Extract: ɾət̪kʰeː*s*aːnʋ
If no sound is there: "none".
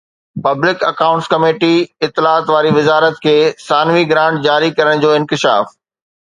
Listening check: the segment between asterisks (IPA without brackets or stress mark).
s